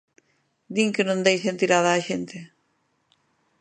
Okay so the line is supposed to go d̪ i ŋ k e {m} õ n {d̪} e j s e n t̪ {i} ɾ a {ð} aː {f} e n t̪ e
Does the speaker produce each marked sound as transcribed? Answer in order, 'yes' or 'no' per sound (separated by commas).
no, yes, yes, yes, no